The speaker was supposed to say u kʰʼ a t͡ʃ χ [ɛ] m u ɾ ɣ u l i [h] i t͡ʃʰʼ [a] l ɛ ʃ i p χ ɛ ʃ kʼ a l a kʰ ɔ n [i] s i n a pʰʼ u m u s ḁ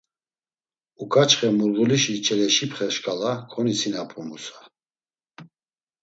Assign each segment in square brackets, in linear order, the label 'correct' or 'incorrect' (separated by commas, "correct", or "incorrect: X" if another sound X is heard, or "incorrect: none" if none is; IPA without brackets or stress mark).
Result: correct, incorrect: ʃ, incorrect: ɛ, correct